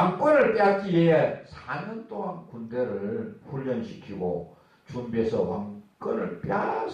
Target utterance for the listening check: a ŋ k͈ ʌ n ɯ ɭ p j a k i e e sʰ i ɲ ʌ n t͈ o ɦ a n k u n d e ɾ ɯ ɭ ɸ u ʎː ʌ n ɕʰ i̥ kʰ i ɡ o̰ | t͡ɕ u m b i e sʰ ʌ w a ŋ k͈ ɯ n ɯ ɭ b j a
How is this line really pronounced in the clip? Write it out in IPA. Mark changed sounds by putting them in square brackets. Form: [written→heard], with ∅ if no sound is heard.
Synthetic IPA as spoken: a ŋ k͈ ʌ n ɯ ɭ p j a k i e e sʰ [i→a] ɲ ʌ n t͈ o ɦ a n k u n d e ɾ ɯ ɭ ɸ u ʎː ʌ n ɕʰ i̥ kʰ i ɡ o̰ | t͡ɕ u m b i e sʰ ʌ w a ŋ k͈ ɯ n ɯ ɭ [b→p] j a